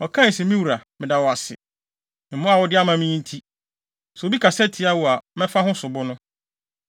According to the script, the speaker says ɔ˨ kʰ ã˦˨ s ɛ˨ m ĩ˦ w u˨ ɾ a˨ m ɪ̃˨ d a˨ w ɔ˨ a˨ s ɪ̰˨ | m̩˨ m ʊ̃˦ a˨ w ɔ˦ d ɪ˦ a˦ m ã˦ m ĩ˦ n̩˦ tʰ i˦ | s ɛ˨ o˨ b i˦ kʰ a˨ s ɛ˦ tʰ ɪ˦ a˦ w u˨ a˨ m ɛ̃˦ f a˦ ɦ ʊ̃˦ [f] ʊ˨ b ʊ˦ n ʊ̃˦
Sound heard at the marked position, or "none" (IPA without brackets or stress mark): s